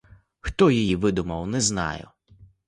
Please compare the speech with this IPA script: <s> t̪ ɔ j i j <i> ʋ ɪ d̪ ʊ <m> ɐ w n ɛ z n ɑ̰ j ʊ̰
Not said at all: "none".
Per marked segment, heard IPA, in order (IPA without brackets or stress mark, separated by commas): x, i, m